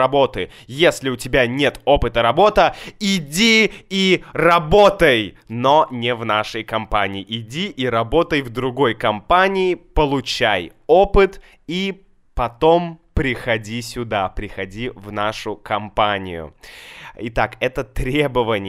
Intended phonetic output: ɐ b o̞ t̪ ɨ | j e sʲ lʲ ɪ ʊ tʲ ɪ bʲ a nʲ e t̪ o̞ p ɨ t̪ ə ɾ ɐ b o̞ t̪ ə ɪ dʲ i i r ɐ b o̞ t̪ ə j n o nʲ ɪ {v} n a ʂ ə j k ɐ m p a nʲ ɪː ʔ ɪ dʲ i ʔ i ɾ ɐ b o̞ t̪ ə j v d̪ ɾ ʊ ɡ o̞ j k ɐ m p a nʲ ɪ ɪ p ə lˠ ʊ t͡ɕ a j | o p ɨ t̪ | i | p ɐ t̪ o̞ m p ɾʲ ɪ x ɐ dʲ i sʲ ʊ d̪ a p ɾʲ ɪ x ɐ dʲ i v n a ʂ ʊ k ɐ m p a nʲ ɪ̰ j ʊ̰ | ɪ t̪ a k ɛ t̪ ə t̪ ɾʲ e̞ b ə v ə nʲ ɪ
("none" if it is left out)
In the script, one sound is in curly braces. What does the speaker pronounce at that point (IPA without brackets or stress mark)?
v